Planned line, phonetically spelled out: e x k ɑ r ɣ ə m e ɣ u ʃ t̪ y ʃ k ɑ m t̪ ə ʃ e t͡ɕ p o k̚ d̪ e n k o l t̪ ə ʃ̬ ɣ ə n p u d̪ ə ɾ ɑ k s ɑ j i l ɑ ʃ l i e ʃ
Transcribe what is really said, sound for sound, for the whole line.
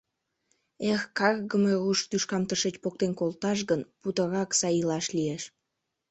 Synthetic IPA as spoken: e x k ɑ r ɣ ə m e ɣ u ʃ t̪ y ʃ k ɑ m t̪ ə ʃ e t͡ɕ p o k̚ t̪ e n k o l t̪ ɑ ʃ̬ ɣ ə n p u t̪ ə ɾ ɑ k s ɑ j i l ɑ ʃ l i e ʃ